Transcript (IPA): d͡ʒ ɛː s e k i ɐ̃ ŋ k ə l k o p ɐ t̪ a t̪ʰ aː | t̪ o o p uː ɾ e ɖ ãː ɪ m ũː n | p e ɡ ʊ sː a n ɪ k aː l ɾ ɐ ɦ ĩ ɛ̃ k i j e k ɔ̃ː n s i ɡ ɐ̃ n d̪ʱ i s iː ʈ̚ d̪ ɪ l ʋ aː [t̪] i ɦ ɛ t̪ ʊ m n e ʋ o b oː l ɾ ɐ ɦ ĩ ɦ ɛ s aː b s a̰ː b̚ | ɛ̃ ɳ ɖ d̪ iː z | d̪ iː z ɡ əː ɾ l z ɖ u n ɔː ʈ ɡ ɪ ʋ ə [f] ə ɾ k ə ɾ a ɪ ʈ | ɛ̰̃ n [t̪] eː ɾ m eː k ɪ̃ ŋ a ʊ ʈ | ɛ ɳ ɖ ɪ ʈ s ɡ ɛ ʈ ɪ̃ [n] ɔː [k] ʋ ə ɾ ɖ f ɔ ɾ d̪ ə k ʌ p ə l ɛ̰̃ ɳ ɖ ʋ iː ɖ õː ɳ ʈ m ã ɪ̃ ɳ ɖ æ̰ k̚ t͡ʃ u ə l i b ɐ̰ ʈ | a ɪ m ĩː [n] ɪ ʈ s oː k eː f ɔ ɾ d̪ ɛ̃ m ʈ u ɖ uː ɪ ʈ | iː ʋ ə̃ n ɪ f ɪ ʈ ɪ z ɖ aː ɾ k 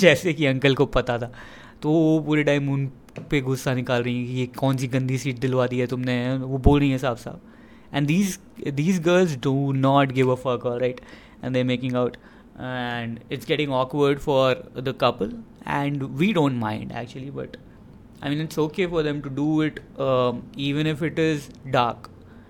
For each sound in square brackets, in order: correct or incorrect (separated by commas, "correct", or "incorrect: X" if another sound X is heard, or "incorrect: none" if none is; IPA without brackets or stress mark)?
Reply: incorrect: d̪, correct, incorrect: d̪, incorrect: ŋ, correct, correct